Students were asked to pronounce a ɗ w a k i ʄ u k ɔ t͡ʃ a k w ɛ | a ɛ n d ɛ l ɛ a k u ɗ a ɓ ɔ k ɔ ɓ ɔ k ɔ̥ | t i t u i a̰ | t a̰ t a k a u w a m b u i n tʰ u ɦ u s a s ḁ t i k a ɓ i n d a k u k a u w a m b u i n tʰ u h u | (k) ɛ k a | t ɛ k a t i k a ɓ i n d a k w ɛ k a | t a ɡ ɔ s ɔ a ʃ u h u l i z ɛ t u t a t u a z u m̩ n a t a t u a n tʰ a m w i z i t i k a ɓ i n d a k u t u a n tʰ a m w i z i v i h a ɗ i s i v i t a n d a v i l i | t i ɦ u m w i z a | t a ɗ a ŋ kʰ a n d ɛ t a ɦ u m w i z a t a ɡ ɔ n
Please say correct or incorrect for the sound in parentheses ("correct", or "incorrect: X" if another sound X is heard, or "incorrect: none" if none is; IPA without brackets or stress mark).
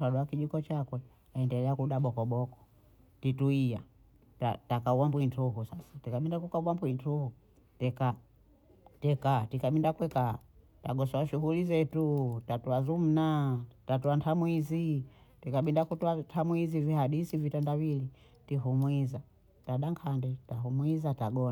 incorrect: t